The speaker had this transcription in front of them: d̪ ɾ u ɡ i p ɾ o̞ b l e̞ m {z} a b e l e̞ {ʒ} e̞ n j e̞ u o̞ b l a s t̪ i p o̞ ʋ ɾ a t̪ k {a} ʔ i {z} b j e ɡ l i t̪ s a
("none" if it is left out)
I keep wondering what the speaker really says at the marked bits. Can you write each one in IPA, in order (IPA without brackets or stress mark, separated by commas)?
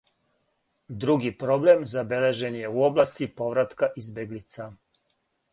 z, ʒ, a, z